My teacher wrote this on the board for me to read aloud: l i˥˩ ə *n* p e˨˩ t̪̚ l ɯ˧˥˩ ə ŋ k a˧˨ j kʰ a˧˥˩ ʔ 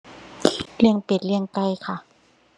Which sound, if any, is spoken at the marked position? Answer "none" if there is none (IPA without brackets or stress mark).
ŋ